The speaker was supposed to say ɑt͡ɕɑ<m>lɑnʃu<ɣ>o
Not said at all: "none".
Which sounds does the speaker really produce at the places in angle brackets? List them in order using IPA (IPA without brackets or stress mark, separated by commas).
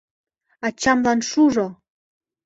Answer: m, ʒ